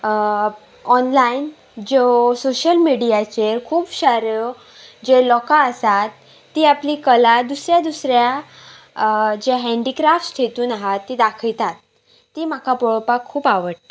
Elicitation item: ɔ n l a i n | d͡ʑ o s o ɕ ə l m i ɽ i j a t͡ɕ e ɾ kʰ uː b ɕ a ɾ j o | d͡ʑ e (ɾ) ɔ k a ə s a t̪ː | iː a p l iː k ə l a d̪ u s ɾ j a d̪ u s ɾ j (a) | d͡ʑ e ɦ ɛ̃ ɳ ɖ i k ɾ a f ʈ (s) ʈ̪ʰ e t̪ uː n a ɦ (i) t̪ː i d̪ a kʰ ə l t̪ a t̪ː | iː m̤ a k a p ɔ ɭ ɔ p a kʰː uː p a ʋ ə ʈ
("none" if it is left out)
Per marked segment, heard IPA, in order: l, a, s, a

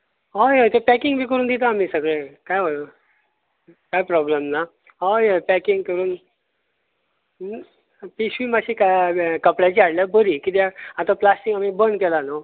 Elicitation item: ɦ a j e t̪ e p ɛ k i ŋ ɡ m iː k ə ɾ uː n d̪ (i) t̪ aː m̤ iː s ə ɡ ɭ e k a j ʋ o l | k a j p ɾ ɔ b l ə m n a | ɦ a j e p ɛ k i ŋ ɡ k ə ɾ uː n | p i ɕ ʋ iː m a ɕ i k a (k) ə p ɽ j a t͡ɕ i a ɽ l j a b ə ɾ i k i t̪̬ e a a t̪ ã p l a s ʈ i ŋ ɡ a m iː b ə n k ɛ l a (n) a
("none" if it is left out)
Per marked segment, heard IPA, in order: i, k, n

